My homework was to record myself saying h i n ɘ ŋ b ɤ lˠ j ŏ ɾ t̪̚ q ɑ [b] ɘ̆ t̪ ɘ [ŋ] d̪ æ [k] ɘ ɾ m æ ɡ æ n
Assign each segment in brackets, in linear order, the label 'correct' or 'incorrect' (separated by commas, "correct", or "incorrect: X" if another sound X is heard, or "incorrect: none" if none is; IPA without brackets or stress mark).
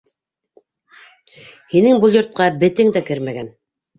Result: correct, correct, correct